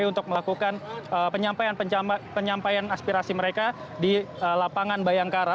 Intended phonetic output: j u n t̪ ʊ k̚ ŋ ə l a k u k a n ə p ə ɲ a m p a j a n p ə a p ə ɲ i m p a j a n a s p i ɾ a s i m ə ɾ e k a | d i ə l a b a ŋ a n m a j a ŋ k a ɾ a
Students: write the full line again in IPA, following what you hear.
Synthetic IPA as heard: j u n t̪ ʊ k̚ m ə l a k u k a n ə p ə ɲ a m p a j a n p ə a p ə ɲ a m p a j a n a s p i ɾ a s i m ə ɾ e k a | d i ə l a p a ŋ a n b a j a ŋ k a ɾ a